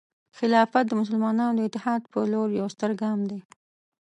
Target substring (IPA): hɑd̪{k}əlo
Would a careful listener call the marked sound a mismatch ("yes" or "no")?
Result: yes